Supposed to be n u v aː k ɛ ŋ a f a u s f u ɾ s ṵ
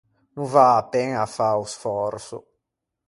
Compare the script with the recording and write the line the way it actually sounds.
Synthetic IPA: n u v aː p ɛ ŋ a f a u s f ɔ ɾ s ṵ